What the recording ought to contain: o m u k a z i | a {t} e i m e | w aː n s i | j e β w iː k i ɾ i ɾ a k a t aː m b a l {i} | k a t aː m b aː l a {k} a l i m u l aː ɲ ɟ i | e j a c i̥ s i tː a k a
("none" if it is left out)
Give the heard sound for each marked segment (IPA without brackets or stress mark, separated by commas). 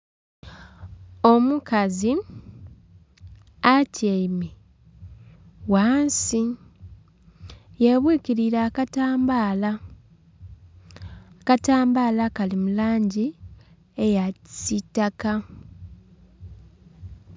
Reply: c, a, k